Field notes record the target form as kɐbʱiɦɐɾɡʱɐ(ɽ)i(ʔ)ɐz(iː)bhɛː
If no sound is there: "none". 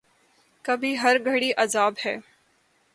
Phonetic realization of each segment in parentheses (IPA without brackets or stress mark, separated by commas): ɽ, ʔ, aː